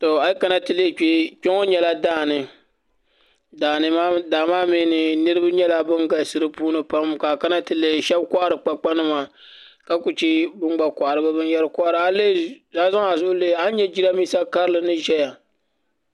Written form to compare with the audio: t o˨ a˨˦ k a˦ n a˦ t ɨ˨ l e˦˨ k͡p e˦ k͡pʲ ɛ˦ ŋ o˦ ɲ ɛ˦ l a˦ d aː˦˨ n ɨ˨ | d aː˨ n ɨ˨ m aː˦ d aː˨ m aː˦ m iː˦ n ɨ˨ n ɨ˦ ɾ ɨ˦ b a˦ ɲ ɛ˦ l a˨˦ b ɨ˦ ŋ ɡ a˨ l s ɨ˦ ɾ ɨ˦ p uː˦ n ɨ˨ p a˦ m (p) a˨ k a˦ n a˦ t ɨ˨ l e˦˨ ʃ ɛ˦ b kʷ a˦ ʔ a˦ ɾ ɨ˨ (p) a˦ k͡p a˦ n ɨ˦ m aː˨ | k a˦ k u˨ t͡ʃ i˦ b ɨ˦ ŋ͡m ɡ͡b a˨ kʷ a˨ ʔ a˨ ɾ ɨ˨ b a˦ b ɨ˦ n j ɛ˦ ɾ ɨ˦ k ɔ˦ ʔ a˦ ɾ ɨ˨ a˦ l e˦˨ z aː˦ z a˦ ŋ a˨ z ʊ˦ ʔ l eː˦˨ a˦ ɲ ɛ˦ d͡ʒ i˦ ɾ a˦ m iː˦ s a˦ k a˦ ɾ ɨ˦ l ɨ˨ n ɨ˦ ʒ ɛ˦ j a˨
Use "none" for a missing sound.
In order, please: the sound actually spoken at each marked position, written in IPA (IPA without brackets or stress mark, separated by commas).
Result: k, k͡p